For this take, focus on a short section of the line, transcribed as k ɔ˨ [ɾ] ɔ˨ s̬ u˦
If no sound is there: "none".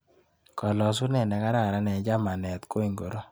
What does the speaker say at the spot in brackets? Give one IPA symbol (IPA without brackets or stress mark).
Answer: l